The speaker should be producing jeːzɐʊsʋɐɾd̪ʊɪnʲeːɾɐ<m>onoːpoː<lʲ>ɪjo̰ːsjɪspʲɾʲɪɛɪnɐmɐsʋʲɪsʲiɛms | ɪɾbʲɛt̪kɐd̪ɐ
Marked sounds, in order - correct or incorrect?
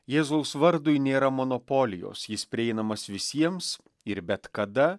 correct, correct

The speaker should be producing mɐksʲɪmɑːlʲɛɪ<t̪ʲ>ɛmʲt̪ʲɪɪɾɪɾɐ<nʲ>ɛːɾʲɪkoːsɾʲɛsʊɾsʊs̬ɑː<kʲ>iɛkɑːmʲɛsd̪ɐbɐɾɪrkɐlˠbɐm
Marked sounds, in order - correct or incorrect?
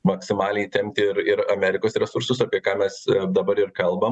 correct, incorrect: mʲ, incorrect: pʲ

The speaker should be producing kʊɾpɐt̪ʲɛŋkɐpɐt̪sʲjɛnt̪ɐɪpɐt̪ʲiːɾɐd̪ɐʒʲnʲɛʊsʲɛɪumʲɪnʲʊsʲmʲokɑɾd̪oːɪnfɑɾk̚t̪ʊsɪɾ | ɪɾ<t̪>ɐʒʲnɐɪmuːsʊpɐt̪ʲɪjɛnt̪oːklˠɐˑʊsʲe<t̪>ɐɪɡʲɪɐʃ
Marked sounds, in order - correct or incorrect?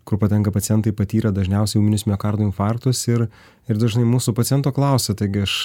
incorrect: d̪, correct

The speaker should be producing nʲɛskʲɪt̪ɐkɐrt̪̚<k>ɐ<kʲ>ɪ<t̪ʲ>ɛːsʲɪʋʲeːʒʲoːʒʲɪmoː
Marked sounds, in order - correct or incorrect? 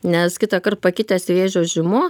incorrect: p, correct, correct

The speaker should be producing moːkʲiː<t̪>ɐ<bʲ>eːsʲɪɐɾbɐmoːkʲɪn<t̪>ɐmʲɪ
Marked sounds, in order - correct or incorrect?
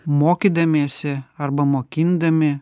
incorrect: d̪, incorrect: mʲ, incorrect: d̪

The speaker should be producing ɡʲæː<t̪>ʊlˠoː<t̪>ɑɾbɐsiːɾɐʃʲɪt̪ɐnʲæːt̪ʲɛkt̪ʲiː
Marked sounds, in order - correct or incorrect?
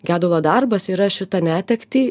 incorrect: d̪, incorrect: d̪

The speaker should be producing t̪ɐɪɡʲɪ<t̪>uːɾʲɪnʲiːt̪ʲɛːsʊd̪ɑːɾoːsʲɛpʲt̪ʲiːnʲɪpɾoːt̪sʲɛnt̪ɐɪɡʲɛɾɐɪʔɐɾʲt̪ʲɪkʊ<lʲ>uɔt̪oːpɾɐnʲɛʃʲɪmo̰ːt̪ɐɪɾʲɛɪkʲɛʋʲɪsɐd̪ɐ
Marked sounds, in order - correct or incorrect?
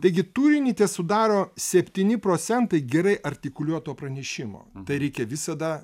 correct, correct

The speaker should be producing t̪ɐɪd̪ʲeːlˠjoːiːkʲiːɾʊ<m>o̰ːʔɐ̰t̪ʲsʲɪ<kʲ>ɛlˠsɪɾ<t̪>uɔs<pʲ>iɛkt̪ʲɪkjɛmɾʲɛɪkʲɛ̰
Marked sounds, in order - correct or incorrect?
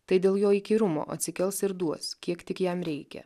correct, correct, incorrect: d̪, incorrect: kʲ

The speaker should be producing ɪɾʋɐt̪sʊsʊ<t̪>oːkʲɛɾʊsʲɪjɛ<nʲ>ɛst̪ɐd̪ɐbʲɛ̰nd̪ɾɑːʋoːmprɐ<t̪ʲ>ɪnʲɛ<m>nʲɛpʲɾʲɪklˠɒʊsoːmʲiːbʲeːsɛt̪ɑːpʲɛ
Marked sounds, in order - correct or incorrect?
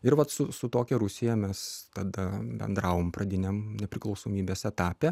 correct, incorrect: mʲ, incorrect: d̪ʲ, correct

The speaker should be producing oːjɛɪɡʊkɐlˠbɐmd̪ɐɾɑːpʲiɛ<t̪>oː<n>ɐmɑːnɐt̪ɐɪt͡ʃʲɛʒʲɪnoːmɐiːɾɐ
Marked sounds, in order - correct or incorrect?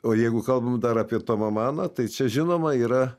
correct, incorrect: m

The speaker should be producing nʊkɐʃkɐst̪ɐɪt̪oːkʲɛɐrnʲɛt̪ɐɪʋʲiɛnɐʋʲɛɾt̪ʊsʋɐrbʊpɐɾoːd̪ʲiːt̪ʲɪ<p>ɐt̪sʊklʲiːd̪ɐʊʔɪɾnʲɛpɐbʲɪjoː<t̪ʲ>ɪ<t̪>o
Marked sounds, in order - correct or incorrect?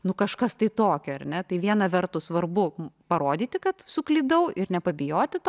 incorrect: k, correct, correct

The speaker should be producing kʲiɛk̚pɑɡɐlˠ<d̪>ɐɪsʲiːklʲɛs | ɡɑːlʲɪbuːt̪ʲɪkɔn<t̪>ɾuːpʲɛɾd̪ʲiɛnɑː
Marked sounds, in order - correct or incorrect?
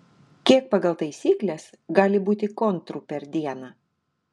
incorrect: t̪, correct

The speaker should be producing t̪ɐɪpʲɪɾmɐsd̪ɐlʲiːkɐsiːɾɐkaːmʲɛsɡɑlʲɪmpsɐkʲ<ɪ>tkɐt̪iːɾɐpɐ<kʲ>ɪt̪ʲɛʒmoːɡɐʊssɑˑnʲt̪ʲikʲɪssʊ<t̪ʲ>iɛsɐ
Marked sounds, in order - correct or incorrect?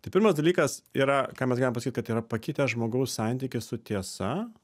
incorrect: i, correct, correct

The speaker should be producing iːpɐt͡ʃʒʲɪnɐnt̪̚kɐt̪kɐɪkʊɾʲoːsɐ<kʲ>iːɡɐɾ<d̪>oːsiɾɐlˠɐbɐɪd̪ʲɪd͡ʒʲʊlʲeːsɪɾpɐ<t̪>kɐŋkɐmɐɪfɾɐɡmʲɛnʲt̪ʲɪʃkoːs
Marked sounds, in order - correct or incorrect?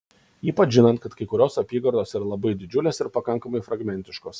incorrect: pʲ, correct, incorrect: none

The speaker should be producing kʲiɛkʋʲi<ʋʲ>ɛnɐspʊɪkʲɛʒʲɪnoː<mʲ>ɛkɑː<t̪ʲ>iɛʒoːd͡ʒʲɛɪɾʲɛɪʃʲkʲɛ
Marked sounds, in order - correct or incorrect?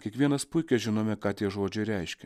incorrect: none, correct, correct

